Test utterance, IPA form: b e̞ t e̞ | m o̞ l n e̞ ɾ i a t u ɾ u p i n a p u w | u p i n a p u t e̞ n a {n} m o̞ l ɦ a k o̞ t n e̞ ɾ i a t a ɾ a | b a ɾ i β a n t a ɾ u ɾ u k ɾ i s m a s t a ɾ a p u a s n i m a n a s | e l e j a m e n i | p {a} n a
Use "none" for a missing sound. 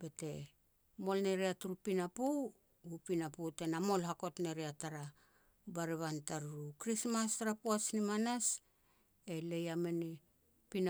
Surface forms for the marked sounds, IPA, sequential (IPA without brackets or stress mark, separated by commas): none, i